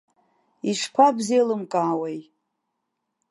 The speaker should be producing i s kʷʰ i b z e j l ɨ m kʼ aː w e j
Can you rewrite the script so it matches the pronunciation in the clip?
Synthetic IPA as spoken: i ʂ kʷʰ a b z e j l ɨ m kʼ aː w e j